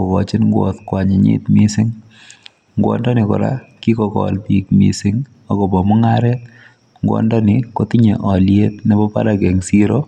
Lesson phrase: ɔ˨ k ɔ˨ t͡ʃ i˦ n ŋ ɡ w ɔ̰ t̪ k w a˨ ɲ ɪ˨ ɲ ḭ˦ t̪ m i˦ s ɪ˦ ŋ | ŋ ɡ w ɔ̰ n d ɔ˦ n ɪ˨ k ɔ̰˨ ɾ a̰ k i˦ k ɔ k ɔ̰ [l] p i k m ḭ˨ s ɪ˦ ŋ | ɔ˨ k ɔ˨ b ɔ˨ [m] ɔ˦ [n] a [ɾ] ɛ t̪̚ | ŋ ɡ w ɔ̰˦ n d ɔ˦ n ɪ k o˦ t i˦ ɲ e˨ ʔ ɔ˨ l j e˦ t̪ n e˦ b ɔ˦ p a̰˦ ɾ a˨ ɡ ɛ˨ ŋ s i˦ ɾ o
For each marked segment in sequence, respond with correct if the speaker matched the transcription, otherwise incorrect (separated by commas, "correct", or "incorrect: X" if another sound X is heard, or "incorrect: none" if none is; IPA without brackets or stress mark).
correct, correct, incorrect: ŋ, correct